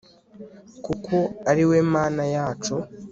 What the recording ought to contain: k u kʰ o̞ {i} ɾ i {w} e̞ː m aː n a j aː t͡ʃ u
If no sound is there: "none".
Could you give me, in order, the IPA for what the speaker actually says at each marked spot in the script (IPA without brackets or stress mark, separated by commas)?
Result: a, w